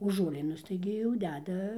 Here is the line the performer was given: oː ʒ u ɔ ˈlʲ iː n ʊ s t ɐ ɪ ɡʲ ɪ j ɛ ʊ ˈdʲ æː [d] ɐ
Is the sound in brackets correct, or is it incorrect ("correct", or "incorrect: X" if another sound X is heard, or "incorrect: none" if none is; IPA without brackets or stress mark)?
correct